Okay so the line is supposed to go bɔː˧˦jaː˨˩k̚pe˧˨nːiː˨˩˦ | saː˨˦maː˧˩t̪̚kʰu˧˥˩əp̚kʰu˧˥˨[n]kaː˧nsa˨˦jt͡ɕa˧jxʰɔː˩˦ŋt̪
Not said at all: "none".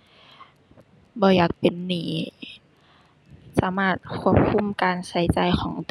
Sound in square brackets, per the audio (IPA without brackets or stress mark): m